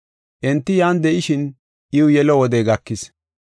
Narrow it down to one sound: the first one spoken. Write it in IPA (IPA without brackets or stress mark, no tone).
ʔ